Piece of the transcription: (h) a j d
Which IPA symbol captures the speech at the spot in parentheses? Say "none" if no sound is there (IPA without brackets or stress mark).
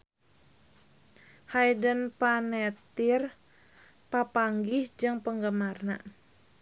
h